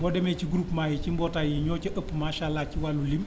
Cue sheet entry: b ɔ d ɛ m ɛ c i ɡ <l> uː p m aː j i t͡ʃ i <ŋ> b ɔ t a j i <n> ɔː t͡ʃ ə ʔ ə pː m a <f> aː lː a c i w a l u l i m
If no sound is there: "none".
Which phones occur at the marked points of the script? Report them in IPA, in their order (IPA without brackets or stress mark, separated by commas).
ɾ, m, ɲ, ʃ